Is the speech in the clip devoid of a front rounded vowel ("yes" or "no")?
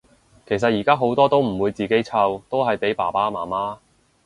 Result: yes